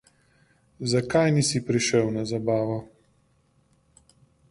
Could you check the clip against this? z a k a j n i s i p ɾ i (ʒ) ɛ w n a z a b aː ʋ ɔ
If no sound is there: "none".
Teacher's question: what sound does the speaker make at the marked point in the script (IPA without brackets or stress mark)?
ʃ